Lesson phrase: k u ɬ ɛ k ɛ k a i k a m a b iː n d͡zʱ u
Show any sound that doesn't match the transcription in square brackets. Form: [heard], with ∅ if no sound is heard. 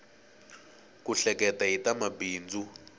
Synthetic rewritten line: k u ɬ ɛ k ɛ [t] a i [t] a m a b iː n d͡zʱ u